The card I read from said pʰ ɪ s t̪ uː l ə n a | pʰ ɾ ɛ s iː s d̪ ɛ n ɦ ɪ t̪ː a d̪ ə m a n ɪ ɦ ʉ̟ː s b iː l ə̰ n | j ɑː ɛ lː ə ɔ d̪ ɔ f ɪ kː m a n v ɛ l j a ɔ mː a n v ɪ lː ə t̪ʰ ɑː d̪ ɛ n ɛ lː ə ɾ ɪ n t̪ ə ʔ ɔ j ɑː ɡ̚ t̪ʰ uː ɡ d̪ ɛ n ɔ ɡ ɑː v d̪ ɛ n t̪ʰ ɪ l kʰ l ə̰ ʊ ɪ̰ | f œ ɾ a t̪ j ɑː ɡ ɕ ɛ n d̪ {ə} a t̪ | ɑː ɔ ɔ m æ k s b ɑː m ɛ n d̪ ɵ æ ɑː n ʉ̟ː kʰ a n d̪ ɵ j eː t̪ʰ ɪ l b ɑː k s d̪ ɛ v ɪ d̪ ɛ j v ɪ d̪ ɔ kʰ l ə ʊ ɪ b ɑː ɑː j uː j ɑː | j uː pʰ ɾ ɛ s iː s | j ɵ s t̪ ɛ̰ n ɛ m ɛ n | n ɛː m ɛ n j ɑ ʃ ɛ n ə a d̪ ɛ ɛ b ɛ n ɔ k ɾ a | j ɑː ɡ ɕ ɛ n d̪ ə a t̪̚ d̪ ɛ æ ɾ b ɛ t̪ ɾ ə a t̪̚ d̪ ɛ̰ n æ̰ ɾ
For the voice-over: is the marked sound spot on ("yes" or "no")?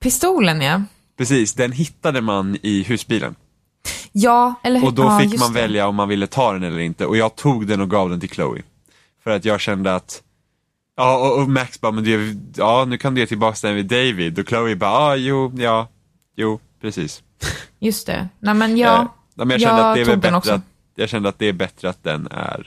yes